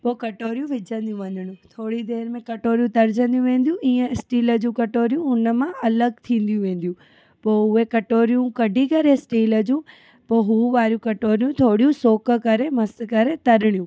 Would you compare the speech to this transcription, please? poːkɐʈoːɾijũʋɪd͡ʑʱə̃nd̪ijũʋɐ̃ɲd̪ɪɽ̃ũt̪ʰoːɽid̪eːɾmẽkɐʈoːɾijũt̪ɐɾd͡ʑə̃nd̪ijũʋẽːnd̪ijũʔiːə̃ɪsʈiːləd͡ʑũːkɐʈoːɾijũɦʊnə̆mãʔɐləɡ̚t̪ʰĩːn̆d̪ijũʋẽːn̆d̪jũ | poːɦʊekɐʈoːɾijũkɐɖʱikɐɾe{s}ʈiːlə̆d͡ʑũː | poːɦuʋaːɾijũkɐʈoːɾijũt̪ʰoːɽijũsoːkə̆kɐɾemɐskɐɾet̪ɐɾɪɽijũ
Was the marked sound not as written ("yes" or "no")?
no